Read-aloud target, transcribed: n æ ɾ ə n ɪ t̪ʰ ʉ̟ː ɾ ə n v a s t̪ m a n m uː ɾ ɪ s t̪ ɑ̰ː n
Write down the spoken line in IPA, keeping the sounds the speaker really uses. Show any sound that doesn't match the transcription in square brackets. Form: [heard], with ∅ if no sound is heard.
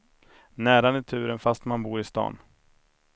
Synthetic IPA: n [æː] ɾ [a] n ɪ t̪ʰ ʉ̟ː ɾ ə n [f] a s t̪ m a n [b] uː ɾ ɪ s t̪ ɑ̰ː n